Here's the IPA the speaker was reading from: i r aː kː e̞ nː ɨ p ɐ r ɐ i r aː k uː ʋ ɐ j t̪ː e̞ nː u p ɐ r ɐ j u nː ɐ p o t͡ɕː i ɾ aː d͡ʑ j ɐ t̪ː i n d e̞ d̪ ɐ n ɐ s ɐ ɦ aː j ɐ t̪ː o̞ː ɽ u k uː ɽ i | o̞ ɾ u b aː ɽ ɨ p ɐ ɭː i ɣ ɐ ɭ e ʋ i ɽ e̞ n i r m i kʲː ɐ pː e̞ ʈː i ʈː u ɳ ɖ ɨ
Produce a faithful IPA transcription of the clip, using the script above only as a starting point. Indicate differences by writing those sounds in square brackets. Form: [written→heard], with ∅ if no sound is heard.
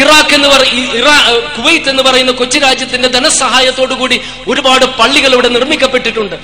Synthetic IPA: i r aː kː e̞ nː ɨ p ɐ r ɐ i r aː k [uː→u] ʋ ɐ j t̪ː e̞ nː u p ɐ r ɐ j u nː ɐ [p→k] o t͡ɕː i ɾ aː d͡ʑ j ɐ t̪ː i n d e̞ d̪ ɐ n ɐ s ɐ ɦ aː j ɐ t̪ː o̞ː ɽ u k uː ɽ i | o̞ ɾ u b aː ɽ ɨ p ɐ ɭː i ɣ ɐ ɭ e ʋ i ɽ e̞ n i r m i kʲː ɐ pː e̞ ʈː i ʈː u ɳ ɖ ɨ